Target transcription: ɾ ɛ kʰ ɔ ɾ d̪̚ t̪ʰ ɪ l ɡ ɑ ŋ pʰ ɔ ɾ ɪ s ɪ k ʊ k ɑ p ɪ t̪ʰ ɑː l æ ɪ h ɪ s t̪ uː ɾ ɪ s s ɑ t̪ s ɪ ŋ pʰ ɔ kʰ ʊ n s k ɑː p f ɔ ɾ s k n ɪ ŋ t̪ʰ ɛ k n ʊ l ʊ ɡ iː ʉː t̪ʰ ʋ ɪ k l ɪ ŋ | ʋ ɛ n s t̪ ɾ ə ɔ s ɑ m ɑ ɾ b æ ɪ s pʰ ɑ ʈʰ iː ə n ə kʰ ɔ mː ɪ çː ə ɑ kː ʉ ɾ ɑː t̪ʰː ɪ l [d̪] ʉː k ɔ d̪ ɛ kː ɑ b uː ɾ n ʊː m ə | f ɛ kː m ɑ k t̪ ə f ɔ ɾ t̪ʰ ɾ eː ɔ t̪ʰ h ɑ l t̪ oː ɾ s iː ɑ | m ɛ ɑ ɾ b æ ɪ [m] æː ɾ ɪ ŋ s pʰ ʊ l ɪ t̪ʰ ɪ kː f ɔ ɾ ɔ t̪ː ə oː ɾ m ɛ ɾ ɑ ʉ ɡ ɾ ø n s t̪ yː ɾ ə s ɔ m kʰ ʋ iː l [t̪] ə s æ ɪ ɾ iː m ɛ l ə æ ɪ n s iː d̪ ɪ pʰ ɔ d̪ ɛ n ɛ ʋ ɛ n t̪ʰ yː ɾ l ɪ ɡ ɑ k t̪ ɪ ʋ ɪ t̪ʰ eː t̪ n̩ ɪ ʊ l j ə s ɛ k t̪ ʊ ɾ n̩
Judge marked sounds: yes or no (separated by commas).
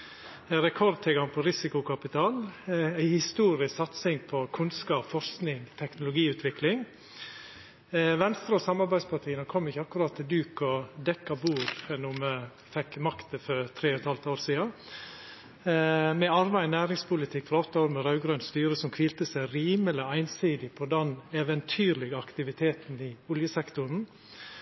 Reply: yes, no, yes